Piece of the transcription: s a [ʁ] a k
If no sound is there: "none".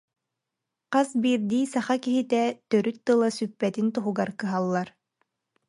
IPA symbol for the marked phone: χ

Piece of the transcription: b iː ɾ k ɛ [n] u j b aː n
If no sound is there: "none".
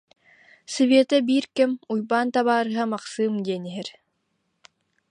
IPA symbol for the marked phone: m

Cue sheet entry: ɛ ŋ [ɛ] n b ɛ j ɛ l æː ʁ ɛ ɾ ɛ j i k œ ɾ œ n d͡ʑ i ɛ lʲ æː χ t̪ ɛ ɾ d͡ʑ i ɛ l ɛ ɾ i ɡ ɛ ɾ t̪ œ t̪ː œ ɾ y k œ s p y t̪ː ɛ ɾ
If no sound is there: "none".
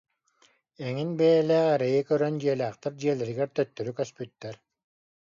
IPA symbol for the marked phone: i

